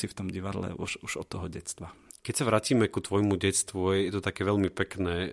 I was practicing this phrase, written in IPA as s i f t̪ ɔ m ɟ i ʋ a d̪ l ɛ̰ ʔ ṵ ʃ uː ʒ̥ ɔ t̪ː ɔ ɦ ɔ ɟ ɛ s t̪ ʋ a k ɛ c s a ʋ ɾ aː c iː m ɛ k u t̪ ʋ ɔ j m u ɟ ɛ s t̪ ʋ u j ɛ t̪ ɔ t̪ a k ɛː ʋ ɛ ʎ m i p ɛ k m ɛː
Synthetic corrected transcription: s i f t̪ ɔ m ɟ i ʋ a d̪ l ɛ̰ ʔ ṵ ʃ u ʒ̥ ɔ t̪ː ɔ ɦ ɔ ɟ ɛ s t̪ ʋ a k ɛ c s a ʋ ɾ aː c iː m ɛ k u t̪ ʋ ɔ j m u ɟ ɛ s t̪ ʋ u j ɛ t̪ ɔ t̪ a k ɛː ʋ ɛ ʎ m i p ɛ k n ɛː